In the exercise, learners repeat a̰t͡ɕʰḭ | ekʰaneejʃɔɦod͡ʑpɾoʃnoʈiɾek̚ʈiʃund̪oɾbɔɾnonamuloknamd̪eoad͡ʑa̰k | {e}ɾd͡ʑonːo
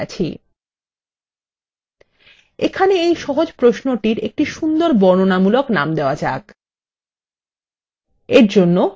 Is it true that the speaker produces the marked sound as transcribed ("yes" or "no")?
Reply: yes